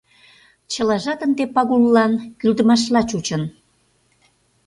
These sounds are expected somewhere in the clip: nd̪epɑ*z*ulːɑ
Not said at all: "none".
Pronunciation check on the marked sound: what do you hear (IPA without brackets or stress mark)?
ɣ